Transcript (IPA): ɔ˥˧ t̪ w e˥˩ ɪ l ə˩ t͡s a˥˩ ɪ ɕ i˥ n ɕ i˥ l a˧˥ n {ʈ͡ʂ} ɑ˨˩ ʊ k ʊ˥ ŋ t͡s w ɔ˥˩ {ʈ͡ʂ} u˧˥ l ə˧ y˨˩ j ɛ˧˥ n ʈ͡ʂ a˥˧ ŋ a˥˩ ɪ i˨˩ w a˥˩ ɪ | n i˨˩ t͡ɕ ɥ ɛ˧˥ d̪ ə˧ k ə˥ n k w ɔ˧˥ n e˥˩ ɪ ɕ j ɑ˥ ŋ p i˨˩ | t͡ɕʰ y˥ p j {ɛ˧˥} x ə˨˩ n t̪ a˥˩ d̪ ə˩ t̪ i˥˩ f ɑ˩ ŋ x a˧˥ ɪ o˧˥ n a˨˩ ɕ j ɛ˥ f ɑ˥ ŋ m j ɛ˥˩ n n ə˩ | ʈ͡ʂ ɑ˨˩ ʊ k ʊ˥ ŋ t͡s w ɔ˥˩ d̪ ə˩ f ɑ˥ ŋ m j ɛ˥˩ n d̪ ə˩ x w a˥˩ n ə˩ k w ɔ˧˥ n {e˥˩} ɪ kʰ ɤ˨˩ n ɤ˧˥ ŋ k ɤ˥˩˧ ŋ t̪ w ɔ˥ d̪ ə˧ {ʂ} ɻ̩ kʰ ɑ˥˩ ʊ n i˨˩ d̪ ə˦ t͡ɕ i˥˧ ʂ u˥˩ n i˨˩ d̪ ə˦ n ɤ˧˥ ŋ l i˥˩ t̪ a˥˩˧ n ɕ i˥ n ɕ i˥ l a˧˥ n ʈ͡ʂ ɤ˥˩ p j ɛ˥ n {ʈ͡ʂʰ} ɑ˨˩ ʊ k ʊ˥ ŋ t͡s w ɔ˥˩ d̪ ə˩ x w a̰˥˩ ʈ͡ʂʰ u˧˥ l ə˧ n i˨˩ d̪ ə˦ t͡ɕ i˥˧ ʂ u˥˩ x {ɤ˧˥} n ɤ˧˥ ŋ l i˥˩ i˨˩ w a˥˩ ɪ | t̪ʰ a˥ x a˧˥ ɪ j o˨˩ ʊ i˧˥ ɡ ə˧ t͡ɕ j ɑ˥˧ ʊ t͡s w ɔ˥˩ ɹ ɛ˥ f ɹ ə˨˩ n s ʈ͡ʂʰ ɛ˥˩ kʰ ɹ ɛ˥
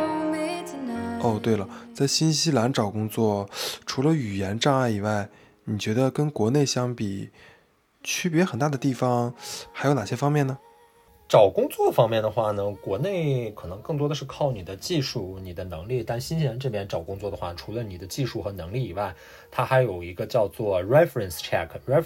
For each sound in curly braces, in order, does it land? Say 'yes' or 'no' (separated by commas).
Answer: yes, no, yes, yes, yes, no, yes